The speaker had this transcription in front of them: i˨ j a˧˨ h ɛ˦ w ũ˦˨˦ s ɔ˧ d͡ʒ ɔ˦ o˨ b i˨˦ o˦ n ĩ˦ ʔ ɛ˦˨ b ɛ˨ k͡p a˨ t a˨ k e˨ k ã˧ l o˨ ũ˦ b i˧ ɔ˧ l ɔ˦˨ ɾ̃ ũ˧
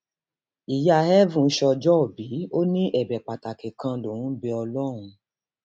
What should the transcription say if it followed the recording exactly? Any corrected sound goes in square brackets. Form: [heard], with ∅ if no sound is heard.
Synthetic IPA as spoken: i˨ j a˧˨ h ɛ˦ [v] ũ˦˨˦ [ʃ] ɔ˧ d͡ʒ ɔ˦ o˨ b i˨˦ o˦ n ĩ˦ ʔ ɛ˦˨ b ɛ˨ k͡p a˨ t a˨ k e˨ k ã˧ l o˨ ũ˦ b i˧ ɔ˧ l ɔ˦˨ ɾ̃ ũ˧